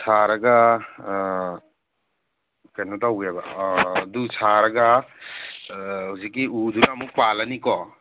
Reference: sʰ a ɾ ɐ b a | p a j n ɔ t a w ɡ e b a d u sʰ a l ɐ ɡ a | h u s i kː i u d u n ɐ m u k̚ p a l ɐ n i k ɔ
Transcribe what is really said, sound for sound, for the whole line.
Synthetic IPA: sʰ a ɾ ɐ ɡ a | k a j n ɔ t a w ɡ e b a d u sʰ a ɾ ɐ ɡ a | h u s i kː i u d u n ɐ m u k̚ p a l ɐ n i k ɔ